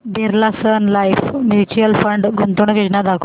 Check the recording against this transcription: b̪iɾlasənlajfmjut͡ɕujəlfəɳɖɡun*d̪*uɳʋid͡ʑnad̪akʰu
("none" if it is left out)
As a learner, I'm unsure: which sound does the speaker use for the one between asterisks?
t̪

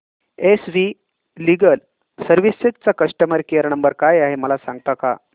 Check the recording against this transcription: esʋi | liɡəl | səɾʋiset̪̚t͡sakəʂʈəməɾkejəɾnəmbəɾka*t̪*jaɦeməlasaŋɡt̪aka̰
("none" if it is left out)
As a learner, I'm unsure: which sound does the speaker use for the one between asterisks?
none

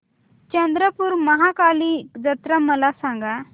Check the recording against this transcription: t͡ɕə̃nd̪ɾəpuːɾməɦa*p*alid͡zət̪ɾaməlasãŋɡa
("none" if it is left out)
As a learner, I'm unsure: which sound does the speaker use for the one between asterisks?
k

